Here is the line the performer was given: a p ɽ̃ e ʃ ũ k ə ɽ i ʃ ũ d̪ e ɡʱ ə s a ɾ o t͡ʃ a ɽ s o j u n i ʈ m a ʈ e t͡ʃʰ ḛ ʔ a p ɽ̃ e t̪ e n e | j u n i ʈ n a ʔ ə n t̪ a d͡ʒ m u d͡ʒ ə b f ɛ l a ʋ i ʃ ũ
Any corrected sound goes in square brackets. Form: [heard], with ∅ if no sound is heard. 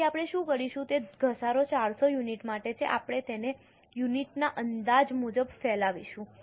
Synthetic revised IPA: a p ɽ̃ e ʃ ũ k ə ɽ i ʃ ũ [t̪] e ɡʱ ə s a ɾ o t͡ʃ a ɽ s o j u n i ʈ m a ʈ e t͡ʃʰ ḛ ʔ a p ɽ̃ e t̪ e n e | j u n i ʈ n a ʔ ə n [d̪] a d͡ʒ m u d͡ʒ ə b f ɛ l a ʋ i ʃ ũ